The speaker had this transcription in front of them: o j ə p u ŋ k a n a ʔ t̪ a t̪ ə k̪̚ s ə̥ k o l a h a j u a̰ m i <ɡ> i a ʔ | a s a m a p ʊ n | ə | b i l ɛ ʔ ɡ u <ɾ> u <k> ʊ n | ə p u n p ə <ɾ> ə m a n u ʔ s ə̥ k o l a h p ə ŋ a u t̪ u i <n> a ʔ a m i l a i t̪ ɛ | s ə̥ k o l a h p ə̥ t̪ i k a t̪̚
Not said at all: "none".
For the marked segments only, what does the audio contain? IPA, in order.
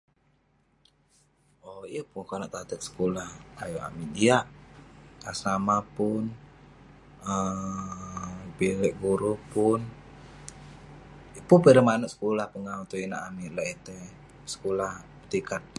d, ɾ, p, ɾ, n

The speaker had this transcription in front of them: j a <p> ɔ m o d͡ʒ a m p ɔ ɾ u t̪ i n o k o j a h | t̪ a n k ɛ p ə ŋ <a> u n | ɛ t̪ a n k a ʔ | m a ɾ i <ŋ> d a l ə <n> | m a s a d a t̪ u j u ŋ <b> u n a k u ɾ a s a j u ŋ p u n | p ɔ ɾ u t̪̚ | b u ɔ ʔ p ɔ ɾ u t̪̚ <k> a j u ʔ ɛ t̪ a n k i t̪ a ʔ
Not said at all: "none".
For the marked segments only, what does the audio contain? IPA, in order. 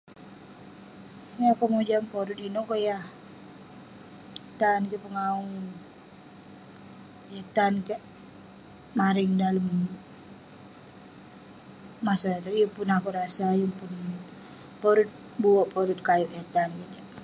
k, a, ŋ, m, p, k

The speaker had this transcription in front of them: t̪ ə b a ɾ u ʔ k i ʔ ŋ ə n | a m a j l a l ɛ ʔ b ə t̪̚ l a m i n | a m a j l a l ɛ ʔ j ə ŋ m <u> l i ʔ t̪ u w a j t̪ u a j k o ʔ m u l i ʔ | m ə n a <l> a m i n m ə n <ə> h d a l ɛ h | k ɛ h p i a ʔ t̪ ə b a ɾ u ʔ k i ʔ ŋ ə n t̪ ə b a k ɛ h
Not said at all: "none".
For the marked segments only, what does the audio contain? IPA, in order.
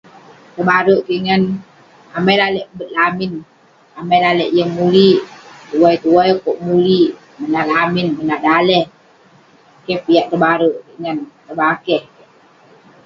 u, l, a

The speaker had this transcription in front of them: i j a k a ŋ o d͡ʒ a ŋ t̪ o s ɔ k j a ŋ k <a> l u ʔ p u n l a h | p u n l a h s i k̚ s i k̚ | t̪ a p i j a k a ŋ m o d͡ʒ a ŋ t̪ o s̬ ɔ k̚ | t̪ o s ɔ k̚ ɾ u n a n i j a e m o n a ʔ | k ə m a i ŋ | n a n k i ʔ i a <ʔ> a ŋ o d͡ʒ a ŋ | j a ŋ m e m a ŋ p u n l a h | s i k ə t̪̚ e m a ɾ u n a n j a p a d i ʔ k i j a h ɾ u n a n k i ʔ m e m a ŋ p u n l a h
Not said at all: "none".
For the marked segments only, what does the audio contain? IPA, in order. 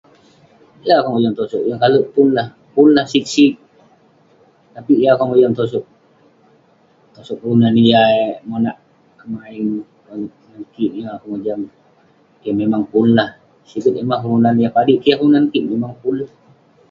a, k

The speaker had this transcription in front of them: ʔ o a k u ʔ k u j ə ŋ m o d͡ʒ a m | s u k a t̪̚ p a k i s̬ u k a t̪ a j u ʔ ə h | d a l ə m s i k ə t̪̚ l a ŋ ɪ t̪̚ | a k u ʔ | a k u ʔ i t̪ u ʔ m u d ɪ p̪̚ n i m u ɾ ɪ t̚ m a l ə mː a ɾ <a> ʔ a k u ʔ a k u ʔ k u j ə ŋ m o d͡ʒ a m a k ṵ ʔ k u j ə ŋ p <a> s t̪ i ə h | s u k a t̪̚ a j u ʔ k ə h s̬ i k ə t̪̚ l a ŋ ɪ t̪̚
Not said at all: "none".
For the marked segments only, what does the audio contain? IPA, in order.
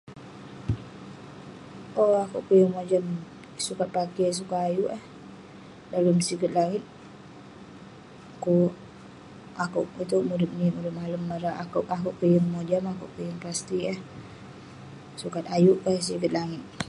a, a

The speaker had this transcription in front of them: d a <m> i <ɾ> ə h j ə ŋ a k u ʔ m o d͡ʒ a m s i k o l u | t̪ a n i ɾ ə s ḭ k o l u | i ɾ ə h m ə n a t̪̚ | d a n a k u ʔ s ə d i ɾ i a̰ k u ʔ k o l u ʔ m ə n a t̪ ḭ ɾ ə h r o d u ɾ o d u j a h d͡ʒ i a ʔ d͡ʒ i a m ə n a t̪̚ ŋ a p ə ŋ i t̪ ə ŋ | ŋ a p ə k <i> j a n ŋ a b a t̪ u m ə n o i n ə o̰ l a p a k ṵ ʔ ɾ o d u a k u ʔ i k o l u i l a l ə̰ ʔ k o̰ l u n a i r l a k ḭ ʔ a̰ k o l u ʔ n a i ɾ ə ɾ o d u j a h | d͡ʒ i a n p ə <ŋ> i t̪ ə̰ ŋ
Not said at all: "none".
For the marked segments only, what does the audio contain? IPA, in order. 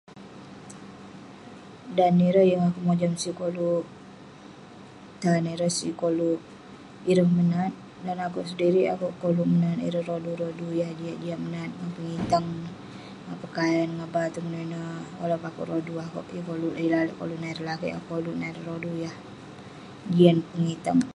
n, ɾ, a, ŋ

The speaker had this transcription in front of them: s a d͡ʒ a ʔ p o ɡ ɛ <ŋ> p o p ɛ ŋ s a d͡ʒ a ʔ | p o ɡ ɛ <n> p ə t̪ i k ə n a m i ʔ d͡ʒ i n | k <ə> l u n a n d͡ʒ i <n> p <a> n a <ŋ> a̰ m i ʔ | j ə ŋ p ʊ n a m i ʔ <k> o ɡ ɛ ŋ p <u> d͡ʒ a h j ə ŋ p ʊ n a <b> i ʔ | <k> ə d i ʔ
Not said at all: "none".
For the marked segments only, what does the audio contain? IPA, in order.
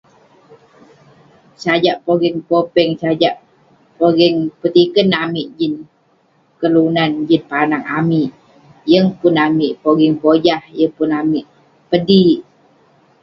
ŋ, ŋ, ə, n, a, ŋ, p, o, m, p

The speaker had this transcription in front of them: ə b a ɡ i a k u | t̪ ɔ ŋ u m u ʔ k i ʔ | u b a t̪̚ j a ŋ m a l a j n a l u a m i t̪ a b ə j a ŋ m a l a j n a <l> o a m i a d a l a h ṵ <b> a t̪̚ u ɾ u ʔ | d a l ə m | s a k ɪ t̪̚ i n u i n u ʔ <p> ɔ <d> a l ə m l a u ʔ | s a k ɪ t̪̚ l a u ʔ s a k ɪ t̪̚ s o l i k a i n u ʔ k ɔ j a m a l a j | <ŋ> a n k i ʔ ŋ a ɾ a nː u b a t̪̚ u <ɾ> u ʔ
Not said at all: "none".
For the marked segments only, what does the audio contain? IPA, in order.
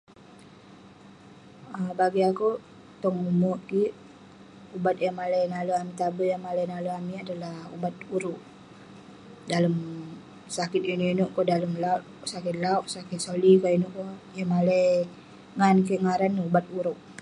l, b, k, d, ŋ, ɾ

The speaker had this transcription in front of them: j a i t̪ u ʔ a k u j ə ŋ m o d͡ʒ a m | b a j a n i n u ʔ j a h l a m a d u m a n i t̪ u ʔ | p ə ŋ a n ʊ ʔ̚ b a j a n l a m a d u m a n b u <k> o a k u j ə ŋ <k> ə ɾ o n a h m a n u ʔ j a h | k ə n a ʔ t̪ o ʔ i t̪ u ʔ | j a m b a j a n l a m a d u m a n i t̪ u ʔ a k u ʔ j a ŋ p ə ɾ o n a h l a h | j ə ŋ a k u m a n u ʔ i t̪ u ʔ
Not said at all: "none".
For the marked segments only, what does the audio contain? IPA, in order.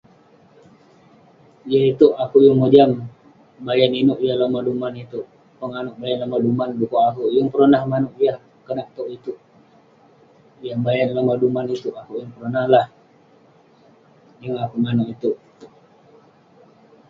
k, p

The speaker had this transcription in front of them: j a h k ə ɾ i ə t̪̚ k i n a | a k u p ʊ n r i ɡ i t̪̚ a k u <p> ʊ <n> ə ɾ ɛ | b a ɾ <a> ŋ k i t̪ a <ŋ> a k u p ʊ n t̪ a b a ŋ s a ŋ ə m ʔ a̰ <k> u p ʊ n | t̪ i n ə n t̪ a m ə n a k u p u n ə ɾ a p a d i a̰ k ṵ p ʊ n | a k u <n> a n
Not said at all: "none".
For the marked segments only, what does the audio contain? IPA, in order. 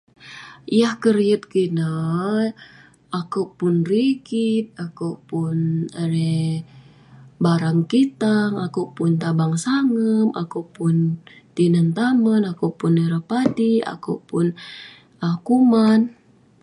p, n, a, ŋ, k, m

